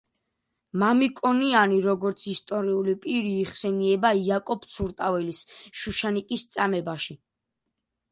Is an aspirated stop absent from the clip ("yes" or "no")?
yes